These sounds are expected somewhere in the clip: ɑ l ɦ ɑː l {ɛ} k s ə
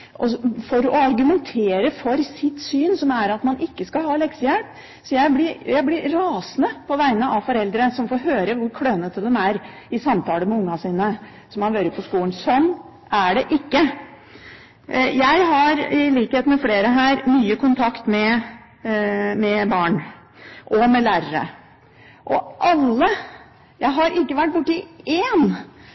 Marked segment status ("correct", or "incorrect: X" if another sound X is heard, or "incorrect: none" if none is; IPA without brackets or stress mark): correct